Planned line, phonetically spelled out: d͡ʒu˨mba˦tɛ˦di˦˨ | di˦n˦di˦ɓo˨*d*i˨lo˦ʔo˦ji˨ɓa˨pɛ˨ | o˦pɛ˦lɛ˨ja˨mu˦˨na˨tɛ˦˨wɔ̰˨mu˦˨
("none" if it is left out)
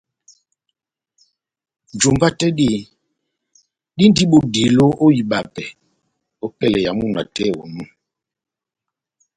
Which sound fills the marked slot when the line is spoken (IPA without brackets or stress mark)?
d